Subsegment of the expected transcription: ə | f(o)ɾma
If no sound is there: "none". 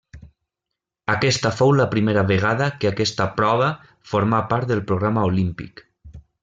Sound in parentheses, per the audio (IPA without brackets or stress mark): o